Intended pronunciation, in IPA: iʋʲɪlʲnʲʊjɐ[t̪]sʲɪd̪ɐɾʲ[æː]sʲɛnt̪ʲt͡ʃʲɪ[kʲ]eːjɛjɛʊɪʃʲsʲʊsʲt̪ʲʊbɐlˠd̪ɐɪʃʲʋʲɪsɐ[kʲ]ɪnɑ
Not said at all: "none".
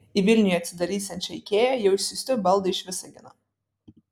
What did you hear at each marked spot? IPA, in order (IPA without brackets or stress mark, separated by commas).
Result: t̪, iː, kʲ, ɡʲ